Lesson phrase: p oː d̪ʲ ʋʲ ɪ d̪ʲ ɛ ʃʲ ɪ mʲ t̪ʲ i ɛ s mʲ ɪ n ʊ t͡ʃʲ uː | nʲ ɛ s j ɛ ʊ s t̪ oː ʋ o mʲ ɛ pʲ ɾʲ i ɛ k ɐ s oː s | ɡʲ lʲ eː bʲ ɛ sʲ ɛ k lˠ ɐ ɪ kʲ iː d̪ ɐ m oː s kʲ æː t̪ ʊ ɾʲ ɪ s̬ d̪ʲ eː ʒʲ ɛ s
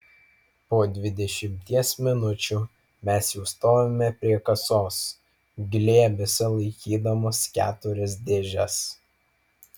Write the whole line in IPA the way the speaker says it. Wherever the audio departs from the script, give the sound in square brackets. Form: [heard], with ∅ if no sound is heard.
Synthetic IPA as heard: p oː d̪ʲ ʋʲ ɪ d̪ʲ ɛ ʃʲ ɪ mʲ t̪ʲ i ɛ s mʲ ɪ n ʊ t͡ʃʲ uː | [mʲ] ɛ s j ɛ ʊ s t̪ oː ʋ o mʲ ɛ pʲ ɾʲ i ɛ k ɐ s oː s | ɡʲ lʲ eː bʲ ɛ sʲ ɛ [∅] lˠ ɐ ɪ kʲ iː d̪ ɐ m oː s kʲ æː t̪ ʊ ɾʲ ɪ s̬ d̪ʲ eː ʒʲ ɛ s